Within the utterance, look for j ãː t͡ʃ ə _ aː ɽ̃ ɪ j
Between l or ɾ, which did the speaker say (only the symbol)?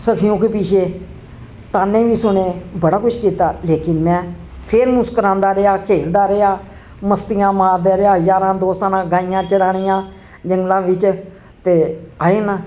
ɾ